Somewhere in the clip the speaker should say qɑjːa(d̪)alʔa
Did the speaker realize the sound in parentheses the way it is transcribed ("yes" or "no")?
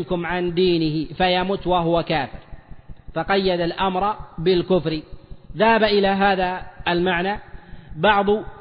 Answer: yes